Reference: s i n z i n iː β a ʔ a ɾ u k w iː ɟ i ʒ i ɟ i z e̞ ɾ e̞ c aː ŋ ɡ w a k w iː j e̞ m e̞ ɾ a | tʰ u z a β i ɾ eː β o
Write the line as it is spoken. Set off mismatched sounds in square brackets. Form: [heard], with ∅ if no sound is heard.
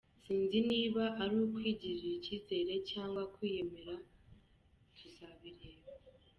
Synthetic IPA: s [iː] n z i n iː β a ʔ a ɾ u k w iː ɟ i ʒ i [c] i z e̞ ɾ e̞ c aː ŋ ɡ w a k w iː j e̞ m e̞ ɾ a | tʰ u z a β i ɾ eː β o